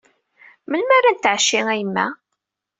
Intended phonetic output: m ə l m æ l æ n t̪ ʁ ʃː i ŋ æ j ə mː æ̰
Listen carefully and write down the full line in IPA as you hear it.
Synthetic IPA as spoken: m ə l m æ ɾ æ n t̪ ʕ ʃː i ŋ æ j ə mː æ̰